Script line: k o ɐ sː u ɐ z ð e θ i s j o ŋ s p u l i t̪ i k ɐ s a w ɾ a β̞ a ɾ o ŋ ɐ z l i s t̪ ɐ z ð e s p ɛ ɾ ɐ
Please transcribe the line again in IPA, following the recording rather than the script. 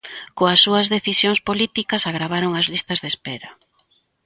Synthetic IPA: k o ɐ sː u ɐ z ð e θ i s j o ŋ s p o l i t̪ i k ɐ s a ɣ ɾ a β̞ a ɾ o ŋ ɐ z l i s t̪ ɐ z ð e s p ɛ ɾ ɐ